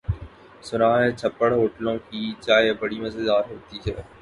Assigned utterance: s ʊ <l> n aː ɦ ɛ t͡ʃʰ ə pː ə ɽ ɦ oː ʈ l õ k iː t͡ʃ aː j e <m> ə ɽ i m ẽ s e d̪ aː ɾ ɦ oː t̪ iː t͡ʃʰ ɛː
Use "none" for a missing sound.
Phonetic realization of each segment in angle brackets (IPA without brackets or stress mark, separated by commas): none, b